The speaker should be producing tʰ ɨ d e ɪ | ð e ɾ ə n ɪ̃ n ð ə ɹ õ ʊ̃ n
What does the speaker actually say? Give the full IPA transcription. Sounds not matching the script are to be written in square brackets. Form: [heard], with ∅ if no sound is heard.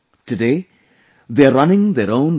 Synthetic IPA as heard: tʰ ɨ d e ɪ | ð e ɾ [ʌ] n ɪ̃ [ŋ] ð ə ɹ õ ʊ̃ n

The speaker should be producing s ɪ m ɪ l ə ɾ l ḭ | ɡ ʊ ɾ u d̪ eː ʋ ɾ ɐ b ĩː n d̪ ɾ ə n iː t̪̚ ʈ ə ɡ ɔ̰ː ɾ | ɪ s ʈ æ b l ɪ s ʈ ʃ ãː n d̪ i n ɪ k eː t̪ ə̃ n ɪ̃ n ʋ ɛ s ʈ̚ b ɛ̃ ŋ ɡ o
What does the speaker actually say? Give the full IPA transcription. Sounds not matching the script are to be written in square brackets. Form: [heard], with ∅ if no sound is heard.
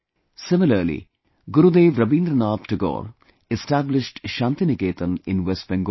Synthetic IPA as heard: s ɪ m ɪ l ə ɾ l ḭ | ɡ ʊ ɾ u d̪ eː ʋ ɾ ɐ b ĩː n d̪ ɾ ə n [aː] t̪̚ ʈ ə ɡ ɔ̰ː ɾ | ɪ s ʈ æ b l ɪ [ʃ] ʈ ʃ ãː n [t̪] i n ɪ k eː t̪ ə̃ n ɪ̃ n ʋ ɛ s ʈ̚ b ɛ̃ ŋ ɡ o

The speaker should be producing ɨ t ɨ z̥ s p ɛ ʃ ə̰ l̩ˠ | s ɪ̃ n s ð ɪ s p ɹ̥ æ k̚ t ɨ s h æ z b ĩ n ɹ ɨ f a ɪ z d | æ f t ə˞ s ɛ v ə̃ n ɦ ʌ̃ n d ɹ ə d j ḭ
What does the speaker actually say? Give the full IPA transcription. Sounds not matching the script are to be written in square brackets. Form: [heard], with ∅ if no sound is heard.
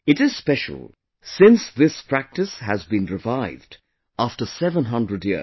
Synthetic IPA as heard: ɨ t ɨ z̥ s p ɛ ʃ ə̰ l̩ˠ | s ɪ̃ n s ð ɪ s p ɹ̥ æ k̚ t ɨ s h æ z b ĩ n ɹ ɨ [v] a ɪ [v] d | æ f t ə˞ s ɛ v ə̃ n ɦ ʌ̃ n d ɹ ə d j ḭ

